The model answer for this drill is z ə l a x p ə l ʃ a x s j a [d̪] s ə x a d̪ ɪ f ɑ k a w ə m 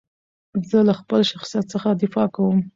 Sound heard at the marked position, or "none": t̪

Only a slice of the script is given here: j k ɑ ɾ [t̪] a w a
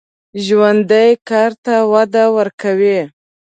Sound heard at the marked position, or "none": t̪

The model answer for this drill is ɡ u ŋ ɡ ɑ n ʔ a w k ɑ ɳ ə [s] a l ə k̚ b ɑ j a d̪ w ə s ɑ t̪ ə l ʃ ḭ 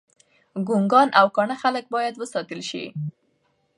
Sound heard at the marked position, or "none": x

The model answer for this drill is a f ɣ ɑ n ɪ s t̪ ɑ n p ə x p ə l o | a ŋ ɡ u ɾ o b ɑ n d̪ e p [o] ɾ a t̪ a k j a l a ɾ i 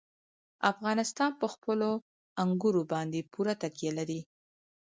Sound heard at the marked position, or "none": u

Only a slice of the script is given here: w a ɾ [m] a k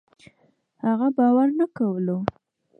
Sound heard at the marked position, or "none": n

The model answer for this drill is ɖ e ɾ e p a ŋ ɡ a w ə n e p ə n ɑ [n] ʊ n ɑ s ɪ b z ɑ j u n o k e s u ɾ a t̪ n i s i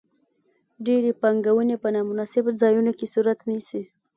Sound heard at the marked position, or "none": m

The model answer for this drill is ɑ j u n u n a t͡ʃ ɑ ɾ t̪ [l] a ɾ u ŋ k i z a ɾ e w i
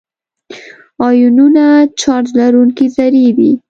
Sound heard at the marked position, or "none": l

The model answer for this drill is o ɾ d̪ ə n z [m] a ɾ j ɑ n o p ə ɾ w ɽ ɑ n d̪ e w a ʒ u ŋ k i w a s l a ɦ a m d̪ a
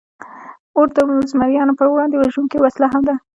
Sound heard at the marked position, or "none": m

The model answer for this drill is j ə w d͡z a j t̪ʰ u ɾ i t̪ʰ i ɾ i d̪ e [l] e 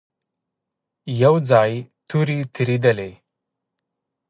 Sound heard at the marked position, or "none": l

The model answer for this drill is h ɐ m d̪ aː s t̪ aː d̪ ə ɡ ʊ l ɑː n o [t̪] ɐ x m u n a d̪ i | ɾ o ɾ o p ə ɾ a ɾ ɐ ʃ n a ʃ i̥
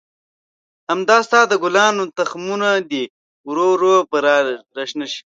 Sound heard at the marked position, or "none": t̪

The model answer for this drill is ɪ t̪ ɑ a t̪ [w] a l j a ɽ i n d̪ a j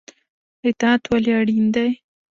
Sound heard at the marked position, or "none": w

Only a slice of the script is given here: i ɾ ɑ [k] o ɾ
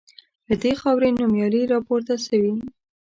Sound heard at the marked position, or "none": p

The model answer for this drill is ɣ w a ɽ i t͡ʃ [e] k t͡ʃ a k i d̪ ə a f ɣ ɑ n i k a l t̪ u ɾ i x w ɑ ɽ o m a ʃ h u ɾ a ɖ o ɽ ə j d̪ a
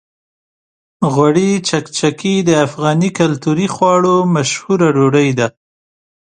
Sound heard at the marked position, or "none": a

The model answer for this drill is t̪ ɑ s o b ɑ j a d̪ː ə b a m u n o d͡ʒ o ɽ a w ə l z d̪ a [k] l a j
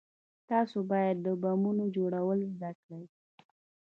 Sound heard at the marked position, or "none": k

